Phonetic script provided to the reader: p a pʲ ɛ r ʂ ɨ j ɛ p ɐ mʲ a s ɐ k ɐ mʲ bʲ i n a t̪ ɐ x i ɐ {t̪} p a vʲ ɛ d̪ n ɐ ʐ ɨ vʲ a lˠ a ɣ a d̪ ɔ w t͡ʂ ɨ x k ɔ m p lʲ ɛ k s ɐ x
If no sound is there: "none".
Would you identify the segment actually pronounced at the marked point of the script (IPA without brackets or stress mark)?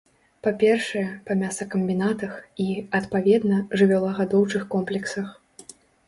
t̪